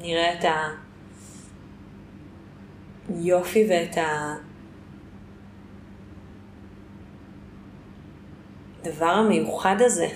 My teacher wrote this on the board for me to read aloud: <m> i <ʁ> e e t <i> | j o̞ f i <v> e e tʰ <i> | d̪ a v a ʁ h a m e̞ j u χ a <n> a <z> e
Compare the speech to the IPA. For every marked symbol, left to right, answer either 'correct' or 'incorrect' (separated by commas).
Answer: incorrect, correct, incorrect, correct, incorrect, incorrect, correct